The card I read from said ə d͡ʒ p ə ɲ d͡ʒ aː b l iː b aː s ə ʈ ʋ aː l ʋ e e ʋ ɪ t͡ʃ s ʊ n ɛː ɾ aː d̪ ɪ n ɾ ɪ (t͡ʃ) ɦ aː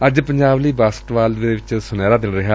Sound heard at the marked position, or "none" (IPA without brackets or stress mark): none